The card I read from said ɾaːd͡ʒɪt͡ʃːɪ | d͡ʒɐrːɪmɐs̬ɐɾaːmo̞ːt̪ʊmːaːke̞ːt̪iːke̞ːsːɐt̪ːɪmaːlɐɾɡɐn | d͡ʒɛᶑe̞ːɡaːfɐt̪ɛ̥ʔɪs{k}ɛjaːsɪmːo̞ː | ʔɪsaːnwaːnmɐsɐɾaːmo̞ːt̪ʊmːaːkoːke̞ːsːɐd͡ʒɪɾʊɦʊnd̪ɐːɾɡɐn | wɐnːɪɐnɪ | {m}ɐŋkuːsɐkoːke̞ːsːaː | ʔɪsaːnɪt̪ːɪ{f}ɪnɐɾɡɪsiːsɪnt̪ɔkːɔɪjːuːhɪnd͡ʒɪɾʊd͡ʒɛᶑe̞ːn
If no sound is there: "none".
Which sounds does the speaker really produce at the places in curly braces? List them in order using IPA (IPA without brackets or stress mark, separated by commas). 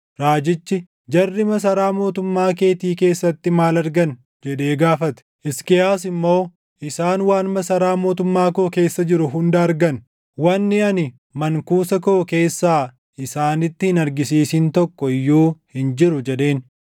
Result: k, m, h